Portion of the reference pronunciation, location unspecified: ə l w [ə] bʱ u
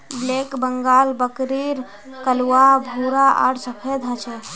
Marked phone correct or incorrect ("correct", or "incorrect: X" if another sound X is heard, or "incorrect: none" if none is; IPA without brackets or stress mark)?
incorrect: a